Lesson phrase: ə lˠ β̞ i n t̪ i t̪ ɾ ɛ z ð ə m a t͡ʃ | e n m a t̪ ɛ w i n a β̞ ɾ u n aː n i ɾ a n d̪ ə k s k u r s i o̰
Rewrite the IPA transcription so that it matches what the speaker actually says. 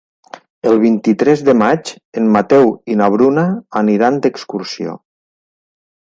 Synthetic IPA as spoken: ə lˠ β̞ i n t̪ i t̪ ɾ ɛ z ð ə m a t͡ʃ | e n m a t̪ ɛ w i n a β̞ ɾ u n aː n i ɾ a n d̪ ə k s k u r s i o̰